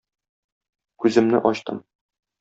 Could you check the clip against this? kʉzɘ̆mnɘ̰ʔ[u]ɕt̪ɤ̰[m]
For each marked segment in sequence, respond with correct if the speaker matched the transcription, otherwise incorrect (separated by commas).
incorrect, correct